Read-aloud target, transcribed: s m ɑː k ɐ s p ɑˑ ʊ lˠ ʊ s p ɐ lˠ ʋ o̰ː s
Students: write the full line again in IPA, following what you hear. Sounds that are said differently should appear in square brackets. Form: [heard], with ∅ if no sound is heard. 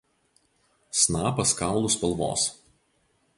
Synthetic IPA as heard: s [n] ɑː [p] ɐ s [k] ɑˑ ʊ lˠ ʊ s p ɐ lˠ ʋ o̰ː s